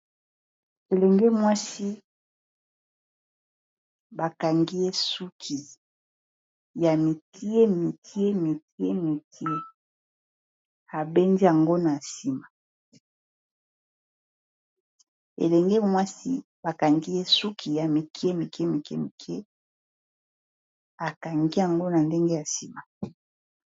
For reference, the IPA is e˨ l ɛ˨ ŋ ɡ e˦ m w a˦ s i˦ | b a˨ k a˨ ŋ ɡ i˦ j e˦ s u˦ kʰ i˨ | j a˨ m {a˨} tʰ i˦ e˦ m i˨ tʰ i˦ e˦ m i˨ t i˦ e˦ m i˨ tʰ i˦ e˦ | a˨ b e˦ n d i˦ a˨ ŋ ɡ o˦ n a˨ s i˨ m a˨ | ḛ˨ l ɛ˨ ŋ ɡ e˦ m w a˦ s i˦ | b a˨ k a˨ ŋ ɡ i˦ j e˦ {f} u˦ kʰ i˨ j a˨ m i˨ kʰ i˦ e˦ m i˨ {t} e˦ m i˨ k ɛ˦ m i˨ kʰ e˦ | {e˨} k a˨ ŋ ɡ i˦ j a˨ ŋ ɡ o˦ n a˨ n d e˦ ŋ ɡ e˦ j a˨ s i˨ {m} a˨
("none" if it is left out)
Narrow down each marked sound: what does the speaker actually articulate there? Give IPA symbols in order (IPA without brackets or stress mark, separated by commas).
i˨, s, k, a˨, m